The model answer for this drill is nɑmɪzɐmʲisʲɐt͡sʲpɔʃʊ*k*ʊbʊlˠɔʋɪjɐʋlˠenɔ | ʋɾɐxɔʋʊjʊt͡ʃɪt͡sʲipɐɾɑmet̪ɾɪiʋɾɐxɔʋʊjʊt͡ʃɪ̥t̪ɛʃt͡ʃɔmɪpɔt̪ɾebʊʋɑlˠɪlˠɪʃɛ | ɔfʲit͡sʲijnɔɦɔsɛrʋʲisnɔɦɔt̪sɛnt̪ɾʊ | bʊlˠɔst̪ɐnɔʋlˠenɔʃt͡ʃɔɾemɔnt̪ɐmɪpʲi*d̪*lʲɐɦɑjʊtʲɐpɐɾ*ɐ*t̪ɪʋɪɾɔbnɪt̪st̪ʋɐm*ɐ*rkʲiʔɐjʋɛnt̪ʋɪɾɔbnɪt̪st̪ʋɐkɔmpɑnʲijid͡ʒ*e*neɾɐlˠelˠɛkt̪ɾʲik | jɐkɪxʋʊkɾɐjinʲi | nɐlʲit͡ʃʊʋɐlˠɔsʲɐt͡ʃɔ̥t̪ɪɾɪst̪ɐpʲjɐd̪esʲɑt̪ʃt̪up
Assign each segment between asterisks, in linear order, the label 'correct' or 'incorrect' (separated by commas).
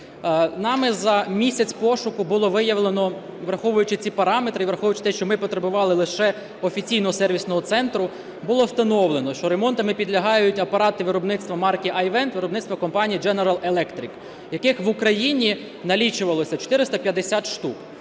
correct, correct, incorrect, incorrect, incorrect